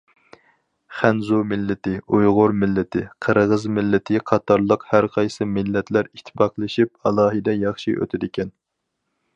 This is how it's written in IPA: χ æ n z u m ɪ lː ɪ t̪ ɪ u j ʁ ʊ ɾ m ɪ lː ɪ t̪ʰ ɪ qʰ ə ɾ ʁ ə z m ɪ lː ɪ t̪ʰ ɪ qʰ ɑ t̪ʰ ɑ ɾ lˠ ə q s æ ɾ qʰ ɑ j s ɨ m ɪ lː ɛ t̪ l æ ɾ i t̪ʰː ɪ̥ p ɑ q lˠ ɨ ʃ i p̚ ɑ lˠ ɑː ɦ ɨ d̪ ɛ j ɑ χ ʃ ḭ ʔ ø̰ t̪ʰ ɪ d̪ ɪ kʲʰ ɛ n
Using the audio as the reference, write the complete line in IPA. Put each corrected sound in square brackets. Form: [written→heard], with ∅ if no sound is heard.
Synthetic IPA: χ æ n z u m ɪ lː ɪ t̪ ɪ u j ʁ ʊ ɾ m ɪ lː ɪ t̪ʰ ɪ qʰ ə ɾ ʁ ə z m ɪ lː ɪ t̪ʰ ɪ qʰ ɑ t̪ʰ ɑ ɾ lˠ ə q [s→h] æ ɾ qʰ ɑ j s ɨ m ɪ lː ɛ t̪ l æ ɾ i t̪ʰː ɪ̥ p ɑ q lˠ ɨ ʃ i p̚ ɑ lˠ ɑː ɦ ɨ d̪ ɛ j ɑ χ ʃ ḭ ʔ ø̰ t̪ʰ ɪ d̪ ɪ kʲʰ ɛ n